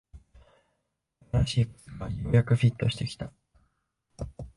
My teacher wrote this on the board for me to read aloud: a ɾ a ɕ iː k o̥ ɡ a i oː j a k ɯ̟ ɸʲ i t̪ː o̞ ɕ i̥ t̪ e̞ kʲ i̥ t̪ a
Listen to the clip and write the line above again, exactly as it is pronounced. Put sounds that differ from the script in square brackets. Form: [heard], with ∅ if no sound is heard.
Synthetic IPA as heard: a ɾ a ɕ iː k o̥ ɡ a [j] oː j a k ɯ̟ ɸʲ i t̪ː o̞ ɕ i̥ t̪ e̞ kʲ i̥ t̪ a

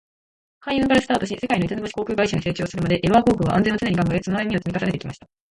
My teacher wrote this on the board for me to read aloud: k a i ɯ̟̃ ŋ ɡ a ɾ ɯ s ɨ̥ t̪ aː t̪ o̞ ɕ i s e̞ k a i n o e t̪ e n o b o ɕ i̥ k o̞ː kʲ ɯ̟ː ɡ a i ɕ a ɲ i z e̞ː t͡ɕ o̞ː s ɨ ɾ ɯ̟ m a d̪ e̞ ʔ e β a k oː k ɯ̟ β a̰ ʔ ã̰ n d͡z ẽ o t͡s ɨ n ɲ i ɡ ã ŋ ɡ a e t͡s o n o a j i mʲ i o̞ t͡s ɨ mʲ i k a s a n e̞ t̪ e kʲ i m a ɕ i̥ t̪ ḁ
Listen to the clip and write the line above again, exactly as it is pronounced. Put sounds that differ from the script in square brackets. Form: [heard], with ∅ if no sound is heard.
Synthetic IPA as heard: k a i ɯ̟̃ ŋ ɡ a ɾ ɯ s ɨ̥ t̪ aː t̪ o̞ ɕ i s e̞ k a i n o [i] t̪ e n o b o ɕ i̥ k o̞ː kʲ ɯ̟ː ɡ a i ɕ a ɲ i [s] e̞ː t͡ɕ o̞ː s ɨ ɾ ɯ̟ m a d̪ e̞ ʔ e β a k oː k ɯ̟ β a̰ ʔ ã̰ n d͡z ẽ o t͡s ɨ n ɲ i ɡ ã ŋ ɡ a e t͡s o n o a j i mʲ i o̞ t͡s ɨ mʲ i k a s a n e̞ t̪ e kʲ i m a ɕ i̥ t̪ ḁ

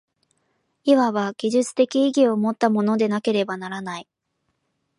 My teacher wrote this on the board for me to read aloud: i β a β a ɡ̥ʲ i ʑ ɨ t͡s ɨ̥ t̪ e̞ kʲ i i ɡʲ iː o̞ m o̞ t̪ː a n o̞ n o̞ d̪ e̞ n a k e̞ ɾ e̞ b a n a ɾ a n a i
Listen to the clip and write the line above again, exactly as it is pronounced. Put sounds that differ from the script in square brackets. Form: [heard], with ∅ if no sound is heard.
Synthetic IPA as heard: i β a β a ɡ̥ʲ i ʑ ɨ t͡s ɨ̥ t̪ e̞ kʲ i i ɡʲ [i] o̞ m o̞ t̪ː a [m] o̞ n o̞ d̪ e̞ n a k e̞ ɾ e̞ b a n a ɾ a n a i

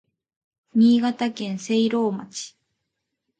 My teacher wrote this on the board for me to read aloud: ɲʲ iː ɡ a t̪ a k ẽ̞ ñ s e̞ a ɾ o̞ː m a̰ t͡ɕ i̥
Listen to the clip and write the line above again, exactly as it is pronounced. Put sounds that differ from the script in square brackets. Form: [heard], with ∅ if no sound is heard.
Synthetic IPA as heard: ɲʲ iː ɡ a t̪ a k ẽ̞ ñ s e̞ [i] ɾ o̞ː m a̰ t͡ɕ i̥

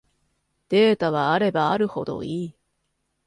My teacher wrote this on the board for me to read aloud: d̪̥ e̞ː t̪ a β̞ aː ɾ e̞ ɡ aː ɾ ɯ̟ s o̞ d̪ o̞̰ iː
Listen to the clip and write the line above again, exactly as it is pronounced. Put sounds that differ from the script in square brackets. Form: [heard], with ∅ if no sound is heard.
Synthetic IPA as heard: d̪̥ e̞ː t̪ a β̞ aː ɾ e̞ [b] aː ɾ ɯ̟ [h] o̞ d̪ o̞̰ iː

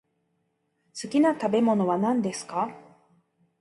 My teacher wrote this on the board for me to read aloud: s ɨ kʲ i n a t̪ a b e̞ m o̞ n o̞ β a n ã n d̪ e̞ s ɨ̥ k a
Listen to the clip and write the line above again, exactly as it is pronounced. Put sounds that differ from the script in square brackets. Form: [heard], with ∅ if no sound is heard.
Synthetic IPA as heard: s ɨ kʲ i n a t̪ a b e̞ m o̞ n o̞ β a n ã n d̪ e̞ s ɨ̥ k a

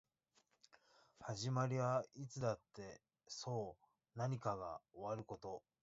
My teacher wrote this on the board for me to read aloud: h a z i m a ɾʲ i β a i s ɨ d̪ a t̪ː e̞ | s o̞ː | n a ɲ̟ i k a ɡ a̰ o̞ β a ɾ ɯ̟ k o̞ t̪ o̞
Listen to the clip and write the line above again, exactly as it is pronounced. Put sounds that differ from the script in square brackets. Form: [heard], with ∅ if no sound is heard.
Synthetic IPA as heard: h a [ʑ] i m a ɾʲ i β a i [t͡s] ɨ d̪ a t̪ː e̞ | s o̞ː | n a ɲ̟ i k a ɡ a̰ o̞ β a ɾ ɯ̟ k o̞ t̪ o̞

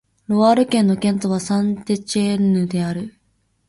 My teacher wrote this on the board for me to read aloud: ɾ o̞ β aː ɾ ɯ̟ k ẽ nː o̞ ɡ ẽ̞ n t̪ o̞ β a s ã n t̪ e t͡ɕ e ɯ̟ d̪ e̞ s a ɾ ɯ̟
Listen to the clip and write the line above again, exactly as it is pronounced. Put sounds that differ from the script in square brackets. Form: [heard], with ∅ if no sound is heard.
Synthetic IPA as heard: ɾ o̞ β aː ɾ ɯ̟ k ẽ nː o̞ [k] ẽ̞ n t̪ o̞ β a s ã n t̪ e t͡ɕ e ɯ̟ d̪ e̞ [∅] a ɾ ɯ̟

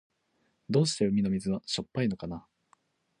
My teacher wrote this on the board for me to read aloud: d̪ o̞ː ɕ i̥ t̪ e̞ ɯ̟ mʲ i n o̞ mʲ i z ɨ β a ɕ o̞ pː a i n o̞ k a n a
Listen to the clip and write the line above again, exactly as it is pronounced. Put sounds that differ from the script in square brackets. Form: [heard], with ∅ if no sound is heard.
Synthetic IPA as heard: d̪ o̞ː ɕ i̥ t̪ e̞ ɯ̟ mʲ i n o̞ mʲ i z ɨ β a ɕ o̞ pː a i n o̞ k a n a

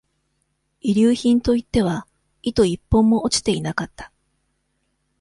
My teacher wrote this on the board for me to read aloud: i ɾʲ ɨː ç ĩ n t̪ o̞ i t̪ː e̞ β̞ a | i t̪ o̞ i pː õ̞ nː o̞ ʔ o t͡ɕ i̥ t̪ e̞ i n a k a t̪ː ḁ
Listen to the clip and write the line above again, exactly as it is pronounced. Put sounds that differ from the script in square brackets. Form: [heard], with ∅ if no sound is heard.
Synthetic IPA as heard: i ɾʲ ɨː ç ĩ n t̪ o̞ i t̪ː e̞ β̞ a | i t̪ o̞ i pː õ̞ [mː] o̞ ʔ o t͡ɕ i̥ t̪ e̞ i n a k a t̪ː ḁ

